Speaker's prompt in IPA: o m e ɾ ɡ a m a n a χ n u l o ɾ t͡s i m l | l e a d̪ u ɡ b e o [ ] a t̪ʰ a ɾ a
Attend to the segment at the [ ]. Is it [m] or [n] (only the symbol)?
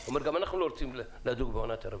n